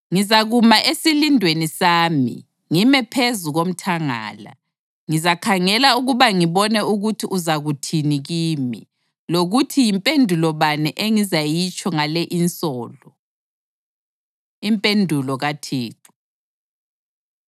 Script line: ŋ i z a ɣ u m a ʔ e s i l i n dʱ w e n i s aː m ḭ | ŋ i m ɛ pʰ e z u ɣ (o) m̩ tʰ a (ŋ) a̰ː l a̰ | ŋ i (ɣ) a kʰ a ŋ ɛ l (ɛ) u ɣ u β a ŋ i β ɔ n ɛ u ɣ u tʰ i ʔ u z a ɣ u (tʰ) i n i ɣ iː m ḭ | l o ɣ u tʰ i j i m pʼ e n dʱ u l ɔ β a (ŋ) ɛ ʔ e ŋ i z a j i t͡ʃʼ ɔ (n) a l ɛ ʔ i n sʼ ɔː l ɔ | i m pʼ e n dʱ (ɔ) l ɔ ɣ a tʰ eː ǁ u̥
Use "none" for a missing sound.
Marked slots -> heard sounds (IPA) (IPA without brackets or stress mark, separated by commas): o, ŋ, z, a, tʰ, n, ŋ, u